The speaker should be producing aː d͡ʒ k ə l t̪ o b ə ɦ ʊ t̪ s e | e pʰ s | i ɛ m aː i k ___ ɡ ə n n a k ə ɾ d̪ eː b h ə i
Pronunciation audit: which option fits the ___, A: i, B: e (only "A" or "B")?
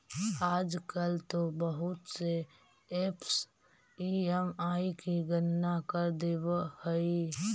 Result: A